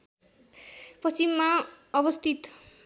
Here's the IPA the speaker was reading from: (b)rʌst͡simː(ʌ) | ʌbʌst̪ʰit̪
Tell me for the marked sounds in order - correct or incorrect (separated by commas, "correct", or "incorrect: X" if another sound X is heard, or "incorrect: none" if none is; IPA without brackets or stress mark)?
incorrect: p, incorrect: a